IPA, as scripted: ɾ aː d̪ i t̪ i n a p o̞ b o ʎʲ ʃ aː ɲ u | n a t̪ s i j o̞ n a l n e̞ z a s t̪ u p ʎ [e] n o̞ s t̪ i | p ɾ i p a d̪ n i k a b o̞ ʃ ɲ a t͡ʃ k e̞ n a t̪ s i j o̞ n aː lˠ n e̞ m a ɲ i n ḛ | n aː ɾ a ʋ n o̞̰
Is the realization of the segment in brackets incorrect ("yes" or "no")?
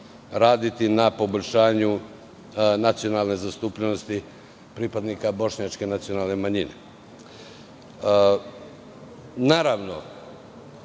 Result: no